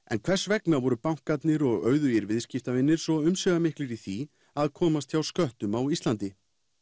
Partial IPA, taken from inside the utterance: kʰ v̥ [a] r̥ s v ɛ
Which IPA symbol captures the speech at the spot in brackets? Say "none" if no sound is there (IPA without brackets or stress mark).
ɛ